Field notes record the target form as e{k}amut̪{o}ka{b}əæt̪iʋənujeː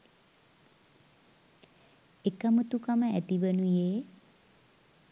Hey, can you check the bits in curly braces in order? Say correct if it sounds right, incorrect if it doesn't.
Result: correct, incorrect: u, incorrect: m

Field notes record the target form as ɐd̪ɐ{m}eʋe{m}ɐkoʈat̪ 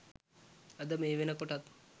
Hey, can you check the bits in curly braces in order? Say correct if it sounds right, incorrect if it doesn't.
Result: correct, incorrect: n

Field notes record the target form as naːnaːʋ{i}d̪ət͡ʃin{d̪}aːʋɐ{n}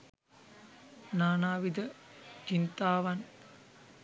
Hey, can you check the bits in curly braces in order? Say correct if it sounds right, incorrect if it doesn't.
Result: correct, incorrect: t̪, correct

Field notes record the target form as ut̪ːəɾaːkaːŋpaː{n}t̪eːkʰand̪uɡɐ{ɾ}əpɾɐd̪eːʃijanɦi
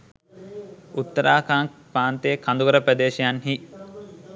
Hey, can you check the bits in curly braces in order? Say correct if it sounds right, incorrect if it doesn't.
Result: correct, correct

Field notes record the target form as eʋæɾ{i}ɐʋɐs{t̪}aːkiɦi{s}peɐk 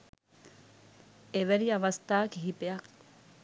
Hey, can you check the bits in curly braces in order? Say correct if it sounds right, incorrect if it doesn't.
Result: correct, correct, incorrect: none

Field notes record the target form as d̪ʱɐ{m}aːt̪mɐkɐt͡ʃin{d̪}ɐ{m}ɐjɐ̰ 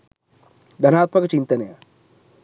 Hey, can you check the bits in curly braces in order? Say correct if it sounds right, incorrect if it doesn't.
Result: incorrect: n, incorrect: t̪, incorrect: n

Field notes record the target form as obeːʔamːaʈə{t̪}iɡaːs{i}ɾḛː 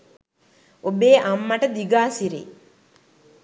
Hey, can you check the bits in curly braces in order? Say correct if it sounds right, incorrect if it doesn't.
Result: incorrect: d̪, correct

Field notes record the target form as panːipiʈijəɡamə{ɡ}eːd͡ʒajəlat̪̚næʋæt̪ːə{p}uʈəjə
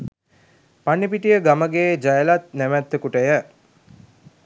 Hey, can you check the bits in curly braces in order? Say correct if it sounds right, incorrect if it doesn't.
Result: correct, incorrect: k

